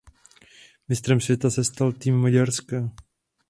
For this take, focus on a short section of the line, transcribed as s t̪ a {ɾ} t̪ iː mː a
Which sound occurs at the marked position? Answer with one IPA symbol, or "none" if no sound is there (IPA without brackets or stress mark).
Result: l